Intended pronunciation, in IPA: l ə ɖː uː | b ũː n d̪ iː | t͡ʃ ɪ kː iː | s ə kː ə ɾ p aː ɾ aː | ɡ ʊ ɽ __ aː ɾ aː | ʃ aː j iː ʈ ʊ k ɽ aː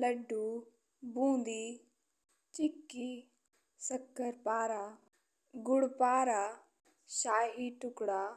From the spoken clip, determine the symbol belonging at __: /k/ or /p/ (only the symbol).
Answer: p